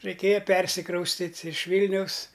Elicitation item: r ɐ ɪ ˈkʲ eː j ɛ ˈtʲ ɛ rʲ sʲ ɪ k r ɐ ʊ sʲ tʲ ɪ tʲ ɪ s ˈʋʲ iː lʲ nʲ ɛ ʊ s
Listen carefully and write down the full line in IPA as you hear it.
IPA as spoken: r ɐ ɪ ˈkʲ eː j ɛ ˈpʲ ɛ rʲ sʲ ɪ k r ɐ ʊ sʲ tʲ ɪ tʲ ɪ ʃ ˈʋʲ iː lʲ nʲ ɛ ʊ s